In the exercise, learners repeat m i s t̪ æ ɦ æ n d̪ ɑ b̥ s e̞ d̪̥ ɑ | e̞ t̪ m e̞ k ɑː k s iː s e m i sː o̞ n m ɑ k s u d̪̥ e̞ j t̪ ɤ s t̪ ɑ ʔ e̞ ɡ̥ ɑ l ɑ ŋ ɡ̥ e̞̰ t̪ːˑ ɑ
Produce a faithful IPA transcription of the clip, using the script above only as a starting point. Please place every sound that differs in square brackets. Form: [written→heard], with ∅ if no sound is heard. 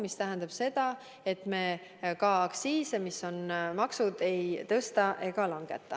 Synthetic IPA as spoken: m i s t̪ æ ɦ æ n d̪ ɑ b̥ s e̞ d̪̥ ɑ | e̞ t̪ m e̞ k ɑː k s iː s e m i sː o̞ n m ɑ k s u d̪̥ e̞ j t̪ ɤ s t̪ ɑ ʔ e̞ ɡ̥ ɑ l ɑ ŋ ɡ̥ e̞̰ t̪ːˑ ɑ